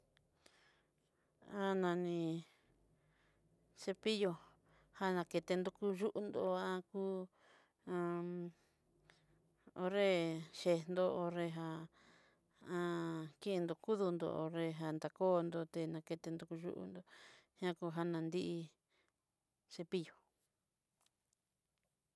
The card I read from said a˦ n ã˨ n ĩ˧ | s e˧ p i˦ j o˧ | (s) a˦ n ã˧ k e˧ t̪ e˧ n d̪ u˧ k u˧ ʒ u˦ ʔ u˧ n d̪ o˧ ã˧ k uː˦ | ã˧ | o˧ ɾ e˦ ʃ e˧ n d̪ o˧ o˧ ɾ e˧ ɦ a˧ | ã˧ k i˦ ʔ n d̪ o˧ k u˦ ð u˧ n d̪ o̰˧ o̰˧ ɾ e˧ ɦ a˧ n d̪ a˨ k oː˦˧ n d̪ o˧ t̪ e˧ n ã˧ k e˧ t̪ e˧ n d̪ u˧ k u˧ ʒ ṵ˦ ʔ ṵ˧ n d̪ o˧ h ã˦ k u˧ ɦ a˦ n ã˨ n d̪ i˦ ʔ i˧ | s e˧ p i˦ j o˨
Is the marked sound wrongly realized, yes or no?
yes